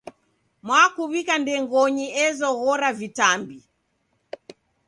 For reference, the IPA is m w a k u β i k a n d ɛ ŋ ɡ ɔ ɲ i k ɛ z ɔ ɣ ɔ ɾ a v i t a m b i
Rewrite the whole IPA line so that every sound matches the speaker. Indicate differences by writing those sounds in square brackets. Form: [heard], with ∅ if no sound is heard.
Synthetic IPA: m w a k u β i k a n d ɛ ŋ ɡ ɔ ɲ i [∅] ɛ z ɔ ɣ ɔ ɾ a v i t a m b i